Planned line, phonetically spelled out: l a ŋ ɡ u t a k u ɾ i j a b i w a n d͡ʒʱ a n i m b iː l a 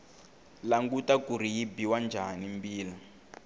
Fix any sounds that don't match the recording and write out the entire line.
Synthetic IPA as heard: l a ŋ ɡ u t a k u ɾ i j i b i w a n d͡ʒʱ a n i m b iː l a